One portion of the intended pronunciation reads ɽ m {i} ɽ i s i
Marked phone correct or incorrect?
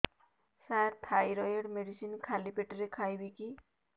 incorrect